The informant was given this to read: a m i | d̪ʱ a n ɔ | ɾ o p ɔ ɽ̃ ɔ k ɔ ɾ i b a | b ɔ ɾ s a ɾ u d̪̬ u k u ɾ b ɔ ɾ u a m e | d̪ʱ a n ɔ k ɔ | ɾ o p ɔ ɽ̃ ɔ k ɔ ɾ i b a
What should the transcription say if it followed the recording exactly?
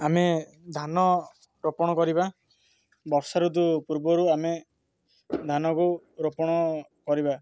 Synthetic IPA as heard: a m e | d̪ʱ a n ɔ | ɾ o p ɔ ɽ̃ ɔ k ɔ ɾ i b a | b ɔ ɾ s a ɾ u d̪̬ u p u ɾ b ɔ ɾ u a m e | d̪ʱ a n ɔ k u | ɾ o p ɔ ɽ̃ ɔ k ɔ ɾ i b a